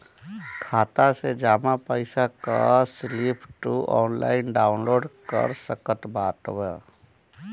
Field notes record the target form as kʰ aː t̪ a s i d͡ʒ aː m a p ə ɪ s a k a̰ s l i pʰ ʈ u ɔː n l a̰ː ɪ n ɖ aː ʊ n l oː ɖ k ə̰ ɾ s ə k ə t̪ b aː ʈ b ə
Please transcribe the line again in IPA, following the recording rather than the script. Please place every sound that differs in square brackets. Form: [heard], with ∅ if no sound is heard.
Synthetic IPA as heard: kʰ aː t̪ a s [e] d͡ʒ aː m a p ə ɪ s a k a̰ s l i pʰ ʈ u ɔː n l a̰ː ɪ n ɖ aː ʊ n l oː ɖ k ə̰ ɾ s ə k ə t̪ b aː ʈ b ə

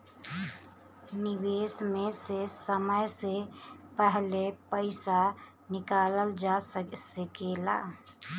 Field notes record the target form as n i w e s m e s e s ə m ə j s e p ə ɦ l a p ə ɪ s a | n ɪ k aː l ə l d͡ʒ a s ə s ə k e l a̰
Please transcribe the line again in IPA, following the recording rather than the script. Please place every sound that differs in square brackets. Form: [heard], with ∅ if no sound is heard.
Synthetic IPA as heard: n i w e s m e s e s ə m ə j s e p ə ɦ l [e] p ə ɪ s a | n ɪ k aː l ə l d͡ʒ a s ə s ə k e l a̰

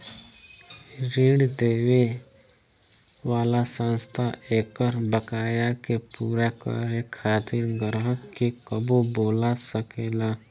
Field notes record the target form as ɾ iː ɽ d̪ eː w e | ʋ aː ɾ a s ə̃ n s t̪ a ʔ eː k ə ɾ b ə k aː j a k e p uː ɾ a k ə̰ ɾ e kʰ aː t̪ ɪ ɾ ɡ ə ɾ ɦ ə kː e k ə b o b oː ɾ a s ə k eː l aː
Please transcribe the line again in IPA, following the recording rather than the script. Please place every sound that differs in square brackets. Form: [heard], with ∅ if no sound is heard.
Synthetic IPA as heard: ɾ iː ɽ d̪ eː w e | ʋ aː [l] a s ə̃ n s [t̪ʰ] a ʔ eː k ə ɾ b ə k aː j a k e p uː ɾ a k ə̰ ɾ e kʰ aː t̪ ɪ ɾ ɡ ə ɾ ɦ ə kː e k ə b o b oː [l] a s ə k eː l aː

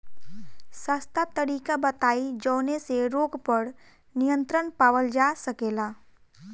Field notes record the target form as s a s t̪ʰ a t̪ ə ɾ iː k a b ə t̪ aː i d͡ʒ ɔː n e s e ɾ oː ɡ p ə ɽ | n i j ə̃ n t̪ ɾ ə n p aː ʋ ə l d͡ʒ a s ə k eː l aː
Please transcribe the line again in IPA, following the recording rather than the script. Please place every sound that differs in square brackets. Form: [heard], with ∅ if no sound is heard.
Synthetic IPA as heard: s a s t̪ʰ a t̪ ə ɾ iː k a b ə t̪ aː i d͡ʒ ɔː n e s e ɾ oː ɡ p ə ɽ | n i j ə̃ n t̪ ɾ ə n p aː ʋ ə l d͡ʒ a s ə k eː l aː

